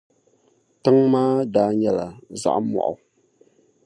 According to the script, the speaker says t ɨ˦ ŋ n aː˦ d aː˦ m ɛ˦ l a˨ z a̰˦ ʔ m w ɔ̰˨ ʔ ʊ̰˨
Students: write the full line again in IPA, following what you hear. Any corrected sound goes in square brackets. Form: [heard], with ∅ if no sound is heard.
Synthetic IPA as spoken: t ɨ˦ ŋ [m] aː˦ d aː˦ [ɲ] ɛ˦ l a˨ z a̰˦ ʔ m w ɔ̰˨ ʔ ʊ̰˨